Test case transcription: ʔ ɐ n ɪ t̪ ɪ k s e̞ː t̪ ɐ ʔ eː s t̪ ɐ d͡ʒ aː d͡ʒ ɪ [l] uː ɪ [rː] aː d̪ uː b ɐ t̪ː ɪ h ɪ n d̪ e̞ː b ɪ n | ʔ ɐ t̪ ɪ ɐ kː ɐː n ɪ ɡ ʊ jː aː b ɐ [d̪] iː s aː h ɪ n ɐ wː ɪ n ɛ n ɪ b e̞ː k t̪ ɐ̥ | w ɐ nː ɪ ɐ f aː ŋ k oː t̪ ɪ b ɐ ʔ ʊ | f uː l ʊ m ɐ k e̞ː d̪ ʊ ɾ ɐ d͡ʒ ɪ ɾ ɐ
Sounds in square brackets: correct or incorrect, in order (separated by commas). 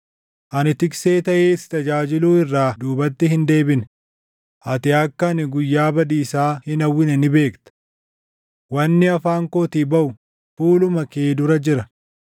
correct, correct, correct